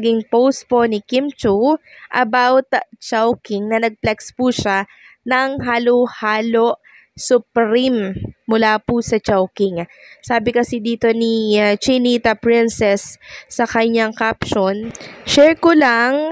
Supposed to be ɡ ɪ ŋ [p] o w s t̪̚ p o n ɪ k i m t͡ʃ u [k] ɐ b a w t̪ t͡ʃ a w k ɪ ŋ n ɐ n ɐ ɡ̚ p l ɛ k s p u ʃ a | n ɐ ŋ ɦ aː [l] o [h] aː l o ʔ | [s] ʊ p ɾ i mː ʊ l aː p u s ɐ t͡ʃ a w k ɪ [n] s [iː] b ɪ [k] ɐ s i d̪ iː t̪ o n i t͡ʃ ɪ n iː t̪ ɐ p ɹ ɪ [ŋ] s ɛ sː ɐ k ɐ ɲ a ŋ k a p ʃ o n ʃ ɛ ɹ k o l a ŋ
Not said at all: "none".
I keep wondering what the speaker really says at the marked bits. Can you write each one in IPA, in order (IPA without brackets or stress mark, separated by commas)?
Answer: p, ʔ, l, h, s, ŋ, aː, k, n